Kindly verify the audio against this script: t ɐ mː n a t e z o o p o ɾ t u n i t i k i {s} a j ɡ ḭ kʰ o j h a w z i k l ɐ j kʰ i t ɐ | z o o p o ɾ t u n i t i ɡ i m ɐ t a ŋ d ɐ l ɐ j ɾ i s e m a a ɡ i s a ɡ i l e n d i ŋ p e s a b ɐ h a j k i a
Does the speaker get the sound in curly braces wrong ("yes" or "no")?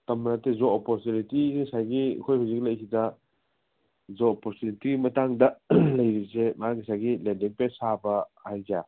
no